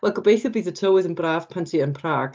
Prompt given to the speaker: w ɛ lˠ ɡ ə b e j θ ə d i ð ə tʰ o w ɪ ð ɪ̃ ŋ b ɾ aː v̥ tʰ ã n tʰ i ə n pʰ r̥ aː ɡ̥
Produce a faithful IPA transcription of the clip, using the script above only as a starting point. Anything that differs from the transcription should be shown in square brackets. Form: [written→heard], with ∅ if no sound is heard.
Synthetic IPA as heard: w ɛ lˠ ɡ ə b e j θ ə [d→b] i ð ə tʰ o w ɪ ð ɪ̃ [ŋ→n] b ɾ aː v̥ [tʰ→pʰ] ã n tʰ i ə n pʰ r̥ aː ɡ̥